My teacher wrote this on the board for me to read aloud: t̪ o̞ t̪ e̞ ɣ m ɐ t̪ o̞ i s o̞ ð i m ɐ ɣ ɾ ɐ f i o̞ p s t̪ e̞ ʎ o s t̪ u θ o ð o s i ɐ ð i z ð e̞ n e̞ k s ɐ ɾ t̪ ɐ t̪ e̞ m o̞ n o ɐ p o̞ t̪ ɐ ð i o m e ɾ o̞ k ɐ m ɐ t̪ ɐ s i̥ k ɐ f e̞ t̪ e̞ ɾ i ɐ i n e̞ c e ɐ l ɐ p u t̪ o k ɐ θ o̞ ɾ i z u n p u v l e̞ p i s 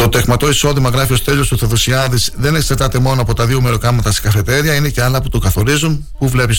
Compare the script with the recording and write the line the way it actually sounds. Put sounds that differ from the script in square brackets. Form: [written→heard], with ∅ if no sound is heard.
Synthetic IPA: t̪ o̞ t̪ e̞ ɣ m ɐ t̪ o̞ i s o̞ ð i m ɐ ɣ ɾ ɐ f i o̞ [p→∅] s t̪ e̞ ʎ o s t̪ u θ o ð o s i ɐ ð i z ð e̞ n e̞ k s ɐ ɾ t̪ ɐ t̪ e̞ m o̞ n o ɐ p o̞ t̪ ɐ ð i o m e ɾ o̞ k ɐ m ɐ t̪ ɐ s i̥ k ɐ f e̞ t̪ e̞ ɾ i ɐ i n e̞ c e ɐ l ɐ p u t̪ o k ɐ θ o̞ ɾ i z u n p u v l e̞ p i s